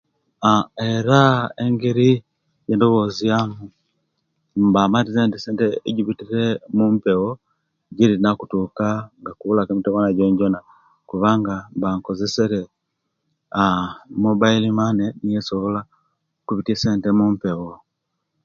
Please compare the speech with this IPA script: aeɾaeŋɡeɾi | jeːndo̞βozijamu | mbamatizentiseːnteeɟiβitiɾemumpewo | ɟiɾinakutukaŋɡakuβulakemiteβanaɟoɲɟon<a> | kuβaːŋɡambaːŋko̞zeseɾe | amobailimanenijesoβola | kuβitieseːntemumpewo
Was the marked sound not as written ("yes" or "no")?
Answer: no